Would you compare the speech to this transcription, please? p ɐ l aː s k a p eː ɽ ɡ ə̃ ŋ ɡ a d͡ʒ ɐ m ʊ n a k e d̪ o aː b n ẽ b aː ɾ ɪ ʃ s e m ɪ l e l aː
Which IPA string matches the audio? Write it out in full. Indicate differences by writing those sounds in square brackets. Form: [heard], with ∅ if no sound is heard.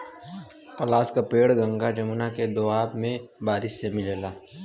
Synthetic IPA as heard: p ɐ l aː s k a p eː ɽ ɡ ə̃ ŋ ɡ a d͡ʒ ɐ m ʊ n a k e d̪ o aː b [m] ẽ b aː ɾ ɪ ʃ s e m ɪ l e l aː